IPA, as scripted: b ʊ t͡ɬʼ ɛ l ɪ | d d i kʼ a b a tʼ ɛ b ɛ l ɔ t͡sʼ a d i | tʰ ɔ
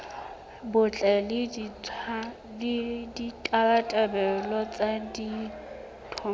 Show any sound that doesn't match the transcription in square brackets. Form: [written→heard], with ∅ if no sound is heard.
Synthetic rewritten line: b ʊ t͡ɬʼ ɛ l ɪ | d d i [kʼ→tʼ] a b a tʼ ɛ b ɛ l ɔ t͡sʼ a d i | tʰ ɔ